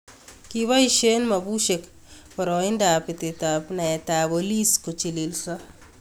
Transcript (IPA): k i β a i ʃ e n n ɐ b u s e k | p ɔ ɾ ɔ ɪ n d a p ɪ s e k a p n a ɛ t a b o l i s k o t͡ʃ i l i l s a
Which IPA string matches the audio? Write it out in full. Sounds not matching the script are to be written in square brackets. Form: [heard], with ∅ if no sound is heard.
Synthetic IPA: k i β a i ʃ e n [m] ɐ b u [ʃ] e k | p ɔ ɾ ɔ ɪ n d a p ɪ [t] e [t] a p n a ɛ t a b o l i s k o t͡ʃ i l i l s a